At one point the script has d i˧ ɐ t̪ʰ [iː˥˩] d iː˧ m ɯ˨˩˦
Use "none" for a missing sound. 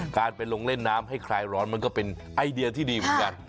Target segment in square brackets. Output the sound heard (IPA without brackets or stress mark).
iː˥˩